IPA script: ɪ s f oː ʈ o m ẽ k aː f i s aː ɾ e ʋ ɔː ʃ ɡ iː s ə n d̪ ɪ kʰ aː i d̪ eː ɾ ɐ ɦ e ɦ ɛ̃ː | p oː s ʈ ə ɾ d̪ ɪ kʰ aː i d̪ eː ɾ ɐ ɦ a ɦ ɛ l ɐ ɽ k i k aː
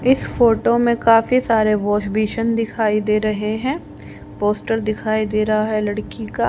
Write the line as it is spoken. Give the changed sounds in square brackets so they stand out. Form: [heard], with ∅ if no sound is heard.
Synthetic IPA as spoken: ɪ s f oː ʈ o m ẽ k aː f i s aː ɾ e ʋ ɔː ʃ [b] iː [ʃ] ə n d̪ ɪ kʰ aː i d̪ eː ɾ ɐ ɦ e ɦ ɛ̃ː | p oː s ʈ ə ɾ d̪ ɪ kʰ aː i d̪ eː ɾ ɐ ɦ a ɦ ɛ l ɐ ɽ k i k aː